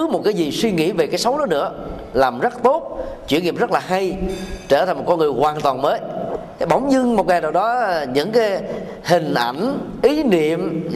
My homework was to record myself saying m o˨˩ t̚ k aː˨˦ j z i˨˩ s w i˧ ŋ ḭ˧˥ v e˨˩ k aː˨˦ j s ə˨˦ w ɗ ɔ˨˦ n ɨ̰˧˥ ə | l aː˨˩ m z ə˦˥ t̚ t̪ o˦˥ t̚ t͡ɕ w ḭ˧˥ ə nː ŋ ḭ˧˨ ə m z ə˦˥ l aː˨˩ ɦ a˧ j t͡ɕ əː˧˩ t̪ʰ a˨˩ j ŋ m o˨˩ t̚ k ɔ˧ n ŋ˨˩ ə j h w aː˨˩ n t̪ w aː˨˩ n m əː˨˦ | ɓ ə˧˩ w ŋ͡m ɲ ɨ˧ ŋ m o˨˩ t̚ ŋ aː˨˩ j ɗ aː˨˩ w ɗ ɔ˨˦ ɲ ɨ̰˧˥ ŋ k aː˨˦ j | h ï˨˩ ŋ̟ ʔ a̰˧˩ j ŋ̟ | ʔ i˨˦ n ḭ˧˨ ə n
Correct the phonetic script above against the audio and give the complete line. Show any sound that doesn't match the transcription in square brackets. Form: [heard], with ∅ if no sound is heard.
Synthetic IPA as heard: m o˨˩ t̚ k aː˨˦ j z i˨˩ s w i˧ ŋ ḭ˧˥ v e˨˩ k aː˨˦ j s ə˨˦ w ɗ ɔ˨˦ n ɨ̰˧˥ ə | l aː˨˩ m z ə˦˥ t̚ t̪ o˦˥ t̚ t͡ɕ w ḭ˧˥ ə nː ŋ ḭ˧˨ ə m z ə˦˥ l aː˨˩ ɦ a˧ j t͡ɕ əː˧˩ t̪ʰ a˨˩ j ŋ m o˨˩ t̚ k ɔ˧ n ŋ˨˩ ə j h w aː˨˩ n t̪ w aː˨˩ n m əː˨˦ | ɓ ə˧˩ w ŋ͡m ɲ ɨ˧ ŋ m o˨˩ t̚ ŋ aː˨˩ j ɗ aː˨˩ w ɗ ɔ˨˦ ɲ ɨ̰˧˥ ŋ k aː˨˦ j | h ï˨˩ ŋ̟ ʔ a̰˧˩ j ŋ̟ | ʔ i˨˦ n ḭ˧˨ ə [m]